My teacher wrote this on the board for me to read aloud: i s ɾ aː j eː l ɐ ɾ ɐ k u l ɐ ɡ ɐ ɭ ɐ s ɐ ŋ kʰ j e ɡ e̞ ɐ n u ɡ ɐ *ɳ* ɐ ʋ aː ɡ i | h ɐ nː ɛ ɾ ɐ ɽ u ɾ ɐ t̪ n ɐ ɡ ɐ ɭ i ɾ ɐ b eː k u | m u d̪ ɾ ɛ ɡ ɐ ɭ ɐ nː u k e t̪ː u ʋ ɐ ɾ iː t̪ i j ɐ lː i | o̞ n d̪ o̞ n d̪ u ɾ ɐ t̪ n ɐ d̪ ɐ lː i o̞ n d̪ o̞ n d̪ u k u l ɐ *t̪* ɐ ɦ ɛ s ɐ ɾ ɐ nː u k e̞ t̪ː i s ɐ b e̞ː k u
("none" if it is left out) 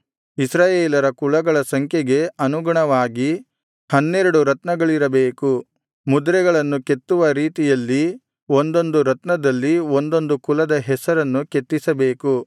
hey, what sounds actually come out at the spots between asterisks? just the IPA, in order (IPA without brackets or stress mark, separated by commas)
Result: ɳ, d̪